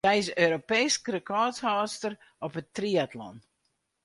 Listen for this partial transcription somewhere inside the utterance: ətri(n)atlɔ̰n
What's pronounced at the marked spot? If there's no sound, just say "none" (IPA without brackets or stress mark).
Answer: none